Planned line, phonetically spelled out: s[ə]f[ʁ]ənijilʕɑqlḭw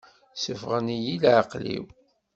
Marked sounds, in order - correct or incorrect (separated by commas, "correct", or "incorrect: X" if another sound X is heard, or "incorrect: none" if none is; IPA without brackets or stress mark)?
correct, correct